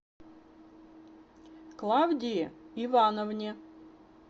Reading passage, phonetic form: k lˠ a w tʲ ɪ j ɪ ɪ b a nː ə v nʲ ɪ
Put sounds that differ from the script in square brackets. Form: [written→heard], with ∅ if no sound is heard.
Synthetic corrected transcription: k lˠ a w [tʲ→dʲ] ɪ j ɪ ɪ [b→v] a [nː→n] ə v nʲ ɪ